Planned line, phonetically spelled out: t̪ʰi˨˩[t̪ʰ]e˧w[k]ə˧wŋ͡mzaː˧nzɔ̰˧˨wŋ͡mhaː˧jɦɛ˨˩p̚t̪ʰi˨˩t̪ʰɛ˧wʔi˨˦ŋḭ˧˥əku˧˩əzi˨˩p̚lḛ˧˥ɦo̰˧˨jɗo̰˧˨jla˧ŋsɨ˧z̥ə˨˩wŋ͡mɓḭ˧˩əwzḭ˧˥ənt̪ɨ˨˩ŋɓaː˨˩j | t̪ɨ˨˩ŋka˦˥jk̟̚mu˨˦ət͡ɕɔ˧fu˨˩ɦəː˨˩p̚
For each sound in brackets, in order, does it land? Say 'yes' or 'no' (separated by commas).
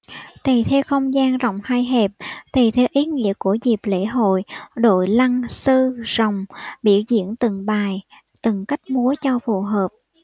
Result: yes, no